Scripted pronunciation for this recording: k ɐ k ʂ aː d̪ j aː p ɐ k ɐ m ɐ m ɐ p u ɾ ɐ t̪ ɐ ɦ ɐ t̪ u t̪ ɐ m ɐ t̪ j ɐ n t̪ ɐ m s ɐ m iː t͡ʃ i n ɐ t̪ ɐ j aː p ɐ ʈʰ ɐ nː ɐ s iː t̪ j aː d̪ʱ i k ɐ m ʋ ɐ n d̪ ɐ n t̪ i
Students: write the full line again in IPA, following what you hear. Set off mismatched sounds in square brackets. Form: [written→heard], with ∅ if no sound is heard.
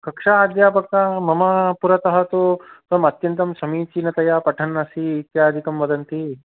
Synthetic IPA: k ɐ k ʂ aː d̪ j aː p ɐ k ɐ m ɐ m ɐ p u ɾ ɐ t̪ ɐ ɦ ɐ t̪ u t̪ ɐ m ɐ t̪ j ɐ n t̪ ɐ m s ɐ m iː t͡ʃ i n ɐ t̪ ɐ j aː p ɐ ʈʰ ɐ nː ɐ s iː t̪ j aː d̪ʱ i k ɐ m ʋ ɐ [n→∅] d̪ ɐ n t̪ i